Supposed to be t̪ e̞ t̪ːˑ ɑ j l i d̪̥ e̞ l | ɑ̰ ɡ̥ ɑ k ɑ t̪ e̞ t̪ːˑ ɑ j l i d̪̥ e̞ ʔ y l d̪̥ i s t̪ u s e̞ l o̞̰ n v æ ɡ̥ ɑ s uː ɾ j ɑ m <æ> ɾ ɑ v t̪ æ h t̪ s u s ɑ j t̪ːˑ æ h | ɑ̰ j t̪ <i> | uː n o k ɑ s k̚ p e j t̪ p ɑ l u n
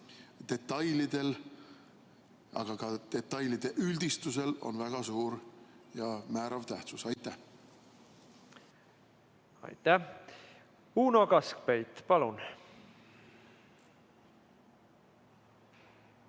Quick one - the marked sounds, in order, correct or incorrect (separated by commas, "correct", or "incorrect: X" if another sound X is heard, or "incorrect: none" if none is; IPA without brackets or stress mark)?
incorrect: æː, incorrect: æ